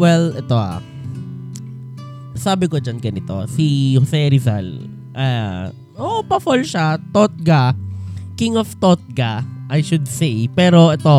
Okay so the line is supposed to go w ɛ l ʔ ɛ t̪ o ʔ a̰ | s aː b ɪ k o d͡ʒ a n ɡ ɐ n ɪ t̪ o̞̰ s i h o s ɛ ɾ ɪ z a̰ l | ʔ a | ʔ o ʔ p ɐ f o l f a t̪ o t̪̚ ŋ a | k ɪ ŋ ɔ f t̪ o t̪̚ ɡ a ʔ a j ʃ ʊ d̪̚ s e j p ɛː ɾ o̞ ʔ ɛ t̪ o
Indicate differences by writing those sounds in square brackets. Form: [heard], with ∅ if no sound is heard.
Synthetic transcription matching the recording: w ɛ l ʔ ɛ t̪ o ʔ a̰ | s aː b ɪ k o d͡ʒ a n ɡ ɐ n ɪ t̪ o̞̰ s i h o s ɛ ɾ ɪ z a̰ l | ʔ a | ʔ o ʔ p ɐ f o l [ʃ] a t̪ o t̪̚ [ɡ] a | k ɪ ŋ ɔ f t̪ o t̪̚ ɡ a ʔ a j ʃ ʊ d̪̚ s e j p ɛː ɾ o̞ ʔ ɛ t̪ o